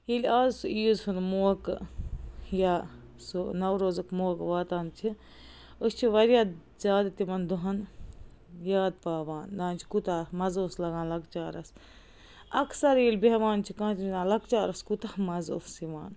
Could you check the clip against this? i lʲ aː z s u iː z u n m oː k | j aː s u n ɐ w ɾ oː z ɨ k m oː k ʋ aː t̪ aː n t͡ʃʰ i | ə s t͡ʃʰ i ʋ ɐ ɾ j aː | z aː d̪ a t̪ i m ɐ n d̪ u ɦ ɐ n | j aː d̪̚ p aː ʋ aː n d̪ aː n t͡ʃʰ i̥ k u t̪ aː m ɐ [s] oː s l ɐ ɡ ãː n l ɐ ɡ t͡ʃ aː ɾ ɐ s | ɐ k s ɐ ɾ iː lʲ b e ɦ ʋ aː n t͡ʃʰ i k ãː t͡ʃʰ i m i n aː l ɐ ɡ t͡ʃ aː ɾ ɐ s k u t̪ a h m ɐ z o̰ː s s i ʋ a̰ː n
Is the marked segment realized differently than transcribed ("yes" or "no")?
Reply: yes